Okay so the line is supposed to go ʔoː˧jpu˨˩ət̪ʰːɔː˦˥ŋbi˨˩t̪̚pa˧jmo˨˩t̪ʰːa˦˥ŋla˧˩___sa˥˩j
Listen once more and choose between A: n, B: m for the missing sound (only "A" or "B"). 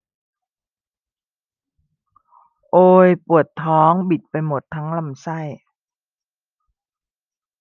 B